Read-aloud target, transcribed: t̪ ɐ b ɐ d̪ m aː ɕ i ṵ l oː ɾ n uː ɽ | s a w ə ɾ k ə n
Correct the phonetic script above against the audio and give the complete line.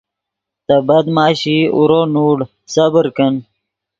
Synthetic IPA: t̪ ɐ b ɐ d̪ m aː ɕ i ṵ ɾ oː n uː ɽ | s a b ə ɾ k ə n